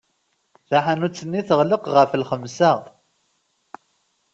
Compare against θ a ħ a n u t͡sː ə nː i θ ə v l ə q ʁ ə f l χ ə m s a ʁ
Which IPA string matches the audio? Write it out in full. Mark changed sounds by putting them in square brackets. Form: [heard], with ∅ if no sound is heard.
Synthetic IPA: θ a ħ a n u t͡sː ə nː i θ ə [ʁ] l ə q ʁ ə f l χ ə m s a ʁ